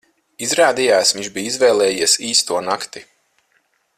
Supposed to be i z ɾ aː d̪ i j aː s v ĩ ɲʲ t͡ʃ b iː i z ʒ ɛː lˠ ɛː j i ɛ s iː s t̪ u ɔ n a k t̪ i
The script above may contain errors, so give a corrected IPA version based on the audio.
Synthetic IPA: i z ɾ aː d̪ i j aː s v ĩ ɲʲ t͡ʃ b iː i z v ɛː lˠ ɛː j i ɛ s iː s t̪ u ɔ n a k t̪ i